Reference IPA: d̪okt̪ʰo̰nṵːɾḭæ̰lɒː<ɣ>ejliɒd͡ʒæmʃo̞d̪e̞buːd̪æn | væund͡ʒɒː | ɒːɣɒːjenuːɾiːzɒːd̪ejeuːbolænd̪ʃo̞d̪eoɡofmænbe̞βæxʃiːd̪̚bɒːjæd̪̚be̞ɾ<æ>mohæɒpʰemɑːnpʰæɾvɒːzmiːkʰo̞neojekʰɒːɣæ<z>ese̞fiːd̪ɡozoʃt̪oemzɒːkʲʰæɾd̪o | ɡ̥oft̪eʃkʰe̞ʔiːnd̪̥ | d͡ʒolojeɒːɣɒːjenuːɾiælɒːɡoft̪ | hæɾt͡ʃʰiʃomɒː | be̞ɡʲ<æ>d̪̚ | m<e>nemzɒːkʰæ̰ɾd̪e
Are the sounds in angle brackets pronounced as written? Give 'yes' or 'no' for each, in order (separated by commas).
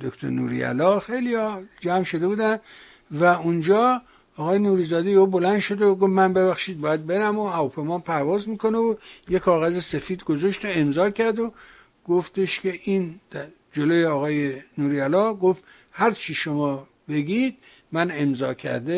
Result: no, yes, yes, no, no